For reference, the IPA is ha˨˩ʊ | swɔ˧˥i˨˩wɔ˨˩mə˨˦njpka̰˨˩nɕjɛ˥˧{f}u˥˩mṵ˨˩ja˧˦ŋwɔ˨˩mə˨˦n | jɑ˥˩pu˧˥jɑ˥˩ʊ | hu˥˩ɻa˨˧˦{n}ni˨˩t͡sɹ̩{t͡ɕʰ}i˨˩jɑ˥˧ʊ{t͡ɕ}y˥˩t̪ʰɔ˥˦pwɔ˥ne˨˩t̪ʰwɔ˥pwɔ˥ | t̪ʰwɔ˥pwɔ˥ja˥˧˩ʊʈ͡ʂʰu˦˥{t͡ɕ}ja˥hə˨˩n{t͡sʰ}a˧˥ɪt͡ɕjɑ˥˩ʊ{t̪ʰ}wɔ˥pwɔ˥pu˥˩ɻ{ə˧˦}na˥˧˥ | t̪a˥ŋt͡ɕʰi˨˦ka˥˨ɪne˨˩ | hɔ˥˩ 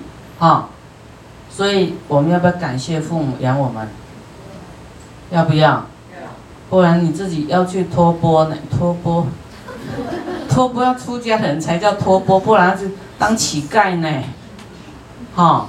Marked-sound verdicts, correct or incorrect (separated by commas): correct, correct, incorrect, incorrect, correct, correct, correct, incorrect